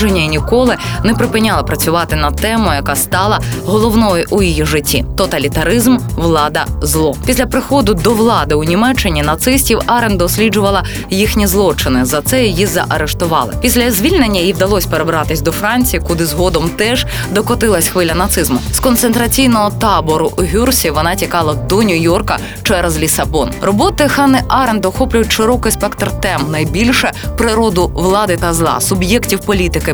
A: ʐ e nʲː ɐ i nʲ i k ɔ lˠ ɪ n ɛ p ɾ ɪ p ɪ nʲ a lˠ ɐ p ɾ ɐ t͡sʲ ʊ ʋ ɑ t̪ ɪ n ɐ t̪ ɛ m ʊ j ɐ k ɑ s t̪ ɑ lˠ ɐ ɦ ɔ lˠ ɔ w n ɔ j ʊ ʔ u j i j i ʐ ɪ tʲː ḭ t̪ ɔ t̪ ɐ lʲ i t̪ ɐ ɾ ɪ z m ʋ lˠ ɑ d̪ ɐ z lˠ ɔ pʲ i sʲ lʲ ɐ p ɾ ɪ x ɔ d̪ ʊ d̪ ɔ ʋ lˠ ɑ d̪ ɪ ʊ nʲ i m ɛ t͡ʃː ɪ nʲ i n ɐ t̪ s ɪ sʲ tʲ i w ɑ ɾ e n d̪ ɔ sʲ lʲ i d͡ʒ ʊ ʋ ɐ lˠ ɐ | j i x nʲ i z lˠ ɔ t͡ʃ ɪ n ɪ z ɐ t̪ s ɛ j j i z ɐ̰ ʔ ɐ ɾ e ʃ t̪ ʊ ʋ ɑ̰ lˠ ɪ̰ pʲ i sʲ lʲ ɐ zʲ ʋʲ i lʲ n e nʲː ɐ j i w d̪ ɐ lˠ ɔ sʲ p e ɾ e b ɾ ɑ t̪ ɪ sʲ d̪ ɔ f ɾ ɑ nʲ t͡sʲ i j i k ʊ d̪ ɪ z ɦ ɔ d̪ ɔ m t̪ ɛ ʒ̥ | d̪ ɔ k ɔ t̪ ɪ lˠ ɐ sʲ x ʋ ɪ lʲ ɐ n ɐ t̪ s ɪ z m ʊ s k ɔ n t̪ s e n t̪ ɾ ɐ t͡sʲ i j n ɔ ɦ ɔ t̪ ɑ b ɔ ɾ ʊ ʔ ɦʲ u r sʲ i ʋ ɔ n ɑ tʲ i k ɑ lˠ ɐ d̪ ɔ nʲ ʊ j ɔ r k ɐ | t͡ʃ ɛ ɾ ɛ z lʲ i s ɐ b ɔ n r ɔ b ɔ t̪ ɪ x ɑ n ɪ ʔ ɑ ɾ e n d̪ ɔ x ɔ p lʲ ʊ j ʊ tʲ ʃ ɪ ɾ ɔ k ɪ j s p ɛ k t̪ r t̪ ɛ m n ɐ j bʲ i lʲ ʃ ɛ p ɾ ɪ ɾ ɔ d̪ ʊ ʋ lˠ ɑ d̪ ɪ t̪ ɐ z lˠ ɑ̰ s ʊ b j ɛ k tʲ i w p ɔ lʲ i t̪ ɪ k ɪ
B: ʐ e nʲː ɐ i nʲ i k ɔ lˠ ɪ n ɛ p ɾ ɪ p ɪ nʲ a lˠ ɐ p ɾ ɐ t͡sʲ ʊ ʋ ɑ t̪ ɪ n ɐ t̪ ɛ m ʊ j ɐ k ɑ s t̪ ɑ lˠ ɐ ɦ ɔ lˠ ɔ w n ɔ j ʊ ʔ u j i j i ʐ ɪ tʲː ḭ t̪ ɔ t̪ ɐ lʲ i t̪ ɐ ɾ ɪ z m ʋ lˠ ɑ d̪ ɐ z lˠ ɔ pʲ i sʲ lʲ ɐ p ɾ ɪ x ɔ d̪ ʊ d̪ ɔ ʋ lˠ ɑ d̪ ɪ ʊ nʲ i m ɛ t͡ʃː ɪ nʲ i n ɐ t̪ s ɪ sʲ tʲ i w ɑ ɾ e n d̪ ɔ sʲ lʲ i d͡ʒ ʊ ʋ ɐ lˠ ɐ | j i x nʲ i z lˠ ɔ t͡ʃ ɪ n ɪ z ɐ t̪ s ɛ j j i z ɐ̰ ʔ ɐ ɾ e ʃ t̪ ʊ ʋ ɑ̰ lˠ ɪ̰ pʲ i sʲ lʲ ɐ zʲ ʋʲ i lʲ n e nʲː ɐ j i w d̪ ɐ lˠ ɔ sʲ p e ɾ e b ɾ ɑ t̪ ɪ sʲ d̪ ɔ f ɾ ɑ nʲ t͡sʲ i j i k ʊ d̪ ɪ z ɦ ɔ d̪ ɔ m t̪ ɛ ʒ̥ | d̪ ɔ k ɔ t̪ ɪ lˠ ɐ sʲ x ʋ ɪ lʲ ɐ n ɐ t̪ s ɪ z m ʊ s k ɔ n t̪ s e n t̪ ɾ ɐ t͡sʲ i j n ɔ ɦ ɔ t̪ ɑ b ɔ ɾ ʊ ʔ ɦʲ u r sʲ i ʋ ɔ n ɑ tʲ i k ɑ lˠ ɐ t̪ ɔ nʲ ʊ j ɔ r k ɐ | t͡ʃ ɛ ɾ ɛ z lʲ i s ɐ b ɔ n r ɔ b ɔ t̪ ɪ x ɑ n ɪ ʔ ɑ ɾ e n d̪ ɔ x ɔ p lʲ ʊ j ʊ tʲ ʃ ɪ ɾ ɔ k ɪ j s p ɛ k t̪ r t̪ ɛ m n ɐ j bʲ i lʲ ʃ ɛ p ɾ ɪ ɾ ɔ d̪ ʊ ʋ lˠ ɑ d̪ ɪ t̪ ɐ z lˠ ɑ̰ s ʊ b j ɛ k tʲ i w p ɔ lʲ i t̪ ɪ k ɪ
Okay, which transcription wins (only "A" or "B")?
A